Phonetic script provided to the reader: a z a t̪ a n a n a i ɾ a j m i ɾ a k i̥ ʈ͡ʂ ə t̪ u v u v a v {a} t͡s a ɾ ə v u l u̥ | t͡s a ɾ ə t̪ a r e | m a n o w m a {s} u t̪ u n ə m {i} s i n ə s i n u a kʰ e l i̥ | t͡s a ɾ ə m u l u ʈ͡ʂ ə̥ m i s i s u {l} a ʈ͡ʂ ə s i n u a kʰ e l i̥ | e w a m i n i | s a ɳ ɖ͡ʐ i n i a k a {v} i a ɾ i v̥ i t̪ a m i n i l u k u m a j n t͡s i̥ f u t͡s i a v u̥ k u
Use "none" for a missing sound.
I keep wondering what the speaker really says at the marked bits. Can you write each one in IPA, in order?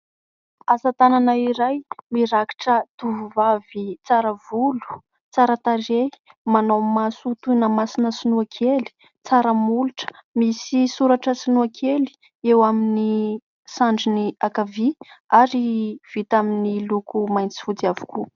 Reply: i, s, a, ɾ, v

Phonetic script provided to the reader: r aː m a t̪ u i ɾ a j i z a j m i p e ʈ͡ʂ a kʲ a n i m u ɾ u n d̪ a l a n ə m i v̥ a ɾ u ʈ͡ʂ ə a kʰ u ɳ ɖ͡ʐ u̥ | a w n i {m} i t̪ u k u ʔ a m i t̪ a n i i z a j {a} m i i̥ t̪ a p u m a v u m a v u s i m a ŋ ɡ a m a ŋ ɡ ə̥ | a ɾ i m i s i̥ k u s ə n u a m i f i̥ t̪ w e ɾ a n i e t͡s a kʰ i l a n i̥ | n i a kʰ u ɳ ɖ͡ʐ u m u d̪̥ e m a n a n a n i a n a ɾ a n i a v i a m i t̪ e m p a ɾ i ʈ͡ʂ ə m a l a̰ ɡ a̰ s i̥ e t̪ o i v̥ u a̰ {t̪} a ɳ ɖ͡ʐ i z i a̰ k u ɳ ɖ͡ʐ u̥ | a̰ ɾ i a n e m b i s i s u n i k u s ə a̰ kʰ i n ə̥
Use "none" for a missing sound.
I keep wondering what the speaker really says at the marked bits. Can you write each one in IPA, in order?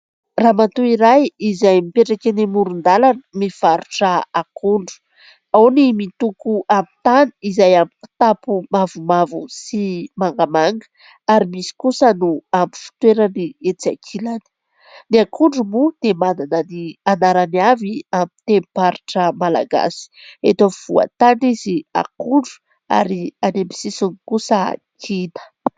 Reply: m, a, t̪

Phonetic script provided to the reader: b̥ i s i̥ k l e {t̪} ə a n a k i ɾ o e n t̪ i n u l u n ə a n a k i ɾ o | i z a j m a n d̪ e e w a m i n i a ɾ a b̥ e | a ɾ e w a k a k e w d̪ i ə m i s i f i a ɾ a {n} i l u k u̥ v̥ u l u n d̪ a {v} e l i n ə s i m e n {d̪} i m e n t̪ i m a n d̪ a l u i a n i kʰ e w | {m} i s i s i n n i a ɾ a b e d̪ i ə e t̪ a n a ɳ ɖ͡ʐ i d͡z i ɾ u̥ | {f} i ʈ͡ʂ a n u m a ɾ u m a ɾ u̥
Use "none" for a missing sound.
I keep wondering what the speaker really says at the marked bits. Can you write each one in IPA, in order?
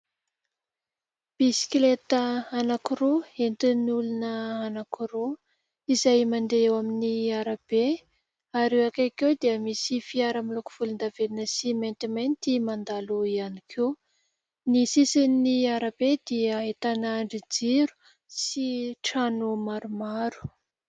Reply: t̪, m, v, t̪, n, s

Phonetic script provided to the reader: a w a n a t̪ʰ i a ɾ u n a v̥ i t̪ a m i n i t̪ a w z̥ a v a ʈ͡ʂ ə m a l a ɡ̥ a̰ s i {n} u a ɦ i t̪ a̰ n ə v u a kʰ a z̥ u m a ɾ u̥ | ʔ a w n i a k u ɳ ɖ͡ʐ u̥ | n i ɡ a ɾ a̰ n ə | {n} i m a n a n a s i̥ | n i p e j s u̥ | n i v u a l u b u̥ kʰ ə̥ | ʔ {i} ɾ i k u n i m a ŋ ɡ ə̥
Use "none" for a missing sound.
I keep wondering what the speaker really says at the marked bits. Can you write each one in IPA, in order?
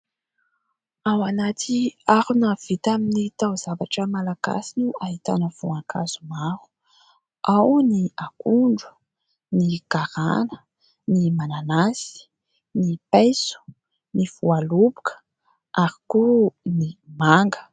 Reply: n, n, a

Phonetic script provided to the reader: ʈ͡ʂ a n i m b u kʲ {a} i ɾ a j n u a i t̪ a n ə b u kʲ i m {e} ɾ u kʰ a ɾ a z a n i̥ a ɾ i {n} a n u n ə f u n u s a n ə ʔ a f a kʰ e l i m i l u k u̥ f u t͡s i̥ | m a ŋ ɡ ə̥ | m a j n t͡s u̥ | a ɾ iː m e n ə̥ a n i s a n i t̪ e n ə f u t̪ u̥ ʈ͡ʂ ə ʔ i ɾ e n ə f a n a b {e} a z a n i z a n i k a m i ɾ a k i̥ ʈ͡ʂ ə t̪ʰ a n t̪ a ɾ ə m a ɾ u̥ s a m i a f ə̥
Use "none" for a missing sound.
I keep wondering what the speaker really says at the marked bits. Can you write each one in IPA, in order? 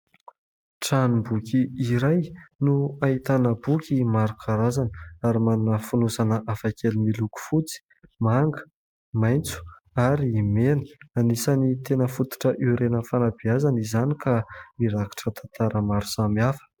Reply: i, a, m, i

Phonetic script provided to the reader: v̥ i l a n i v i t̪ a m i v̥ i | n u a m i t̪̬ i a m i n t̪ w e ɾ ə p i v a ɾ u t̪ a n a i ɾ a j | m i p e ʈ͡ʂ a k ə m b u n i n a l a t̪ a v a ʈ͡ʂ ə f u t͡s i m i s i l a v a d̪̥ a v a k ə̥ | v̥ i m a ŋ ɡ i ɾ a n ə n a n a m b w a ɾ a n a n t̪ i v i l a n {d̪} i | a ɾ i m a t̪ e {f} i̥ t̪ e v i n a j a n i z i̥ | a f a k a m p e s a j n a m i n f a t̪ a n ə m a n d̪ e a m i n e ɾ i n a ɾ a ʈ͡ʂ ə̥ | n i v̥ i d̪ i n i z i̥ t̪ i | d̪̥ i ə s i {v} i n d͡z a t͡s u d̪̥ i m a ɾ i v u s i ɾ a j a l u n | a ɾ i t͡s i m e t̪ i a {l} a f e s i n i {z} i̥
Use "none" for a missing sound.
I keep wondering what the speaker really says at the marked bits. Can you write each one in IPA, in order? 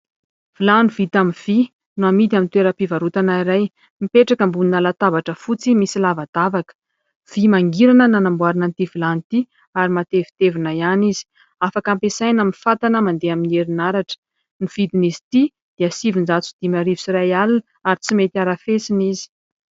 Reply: t̪, v, v, ɾ, z

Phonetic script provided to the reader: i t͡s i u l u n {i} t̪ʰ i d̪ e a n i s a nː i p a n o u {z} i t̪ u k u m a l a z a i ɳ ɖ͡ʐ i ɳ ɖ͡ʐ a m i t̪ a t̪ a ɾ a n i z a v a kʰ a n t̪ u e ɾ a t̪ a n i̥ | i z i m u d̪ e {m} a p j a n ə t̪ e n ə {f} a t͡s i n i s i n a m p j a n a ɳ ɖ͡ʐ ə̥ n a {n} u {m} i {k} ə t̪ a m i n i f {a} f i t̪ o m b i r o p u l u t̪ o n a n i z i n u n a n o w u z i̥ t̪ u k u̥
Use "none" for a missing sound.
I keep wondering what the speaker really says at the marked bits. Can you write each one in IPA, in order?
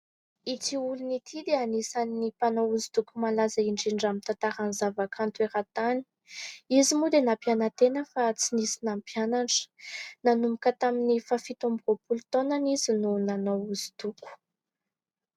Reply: i, z, n, f, n, m, k, a

